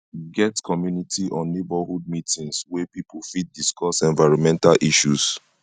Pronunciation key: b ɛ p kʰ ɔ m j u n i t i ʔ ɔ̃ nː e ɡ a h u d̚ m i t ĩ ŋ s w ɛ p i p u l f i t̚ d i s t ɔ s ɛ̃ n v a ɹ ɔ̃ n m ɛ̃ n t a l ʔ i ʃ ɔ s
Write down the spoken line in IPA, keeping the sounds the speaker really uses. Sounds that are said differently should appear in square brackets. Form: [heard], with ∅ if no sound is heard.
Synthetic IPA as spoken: [ɡ] ɛ [t] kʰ ɔ m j u n i t i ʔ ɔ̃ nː e [b] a h u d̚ m i t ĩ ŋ s w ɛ p i p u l f i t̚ d i s [k] ɔ s ɛ̃ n v a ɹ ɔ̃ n m ɛ̃ n t a l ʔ i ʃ [u] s